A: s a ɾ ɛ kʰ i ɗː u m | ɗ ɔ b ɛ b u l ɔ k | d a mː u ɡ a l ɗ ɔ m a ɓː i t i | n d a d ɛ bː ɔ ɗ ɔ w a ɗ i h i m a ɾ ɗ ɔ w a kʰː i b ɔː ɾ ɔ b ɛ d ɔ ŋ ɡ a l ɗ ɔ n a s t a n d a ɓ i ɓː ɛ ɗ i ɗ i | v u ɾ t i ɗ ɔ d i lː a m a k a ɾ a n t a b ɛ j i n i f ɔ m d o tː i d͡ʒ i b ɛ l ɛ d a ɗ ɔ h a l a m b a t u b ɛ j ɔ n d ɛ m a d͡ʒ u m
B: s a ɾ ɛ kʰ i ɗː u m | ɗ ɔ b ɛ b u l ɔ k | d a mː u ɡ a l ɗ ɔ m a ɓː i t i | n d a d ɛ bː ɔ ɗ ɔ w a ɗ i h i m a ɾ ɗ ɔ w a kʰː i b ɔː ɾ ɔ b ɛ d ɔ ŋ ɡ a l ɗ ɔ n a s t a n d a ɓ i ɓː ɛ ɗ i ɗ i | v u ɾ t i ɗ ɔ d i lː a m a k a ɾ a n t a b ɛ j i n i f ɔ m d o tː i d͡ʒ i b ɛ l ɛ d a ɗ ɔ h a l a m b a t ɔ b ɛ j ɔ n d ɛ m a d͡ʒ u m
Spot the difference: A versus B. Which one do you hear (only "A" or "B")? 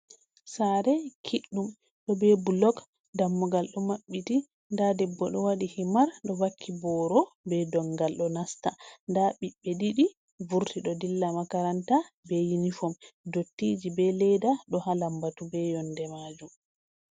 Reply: A